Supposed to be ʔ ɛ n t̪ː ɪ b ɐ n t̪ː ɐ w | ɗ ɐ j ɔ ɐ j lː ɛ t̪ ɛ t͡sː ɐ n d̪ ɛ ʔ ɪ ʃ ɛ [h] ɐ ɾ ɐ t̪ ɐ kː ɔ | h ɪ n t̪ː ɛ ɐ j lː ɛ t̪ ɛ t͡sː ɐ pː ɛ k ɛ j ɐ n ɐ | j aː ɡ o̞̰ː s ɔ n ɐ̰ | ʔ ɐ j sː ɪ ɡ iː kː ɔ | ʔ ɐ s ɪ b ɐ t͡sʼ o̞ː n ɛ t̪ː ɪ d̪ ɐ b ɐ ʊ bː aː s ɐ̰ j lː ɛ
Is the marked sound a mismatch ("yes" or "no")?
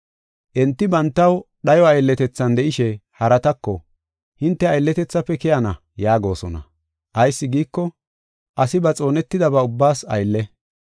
no